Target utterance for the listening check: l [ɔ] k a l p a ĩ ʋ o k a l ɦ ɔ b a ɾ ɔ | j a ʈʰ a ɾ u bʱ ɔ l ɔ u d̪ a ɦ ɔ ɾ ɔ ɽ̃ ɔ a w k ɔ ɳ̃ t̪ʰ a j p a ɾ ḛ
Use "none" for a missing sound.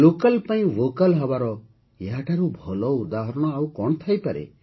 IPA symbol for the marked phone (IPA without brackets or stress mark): o